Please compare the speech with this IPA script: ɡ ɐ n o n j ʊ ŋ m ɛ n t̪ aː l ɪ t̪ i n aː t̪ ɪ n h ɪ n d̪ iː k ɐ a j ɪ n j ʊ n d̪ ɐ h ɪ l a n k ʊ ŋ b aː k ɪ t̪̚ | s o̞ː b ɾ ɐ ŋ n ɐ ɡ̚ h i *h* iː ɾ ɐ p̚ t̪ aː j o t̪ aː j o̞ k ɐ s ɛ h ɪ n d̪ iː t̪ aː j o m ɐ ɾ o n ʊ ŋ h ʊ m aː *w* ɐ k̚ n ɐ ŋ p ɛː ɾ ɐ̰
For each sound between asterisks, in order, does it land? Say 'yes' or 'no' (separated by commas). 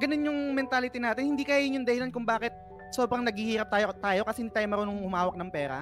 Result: yes, yes